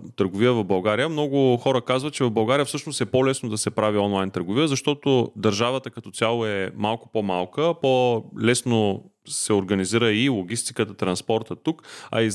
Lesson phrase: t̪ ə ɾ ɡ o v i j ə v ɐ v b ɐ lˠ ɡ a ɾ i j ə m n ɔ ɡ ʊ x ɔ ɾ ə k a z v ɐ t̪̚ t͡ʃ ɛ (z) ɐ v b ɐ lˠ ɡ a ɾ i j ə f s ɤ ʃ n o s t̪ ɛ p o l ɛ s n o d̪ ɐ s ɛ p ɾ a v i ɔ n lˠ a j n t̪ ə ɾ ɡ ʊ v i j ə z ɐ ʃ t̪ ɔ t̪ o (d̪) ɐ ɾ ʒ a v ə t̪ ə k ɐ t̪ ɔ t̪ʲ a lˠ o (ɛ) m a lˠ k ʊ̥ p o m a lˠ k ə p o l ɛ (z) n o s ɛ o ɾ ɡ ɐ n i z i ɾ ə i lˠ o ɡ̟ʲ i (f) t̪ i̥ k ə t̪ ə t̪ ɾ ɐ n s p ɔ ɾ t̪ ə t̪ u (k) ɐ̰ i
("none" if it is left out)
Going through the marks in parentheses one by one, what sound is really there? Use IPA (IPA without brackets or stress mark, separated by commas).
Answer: v, d̪, ɛ, s, s, k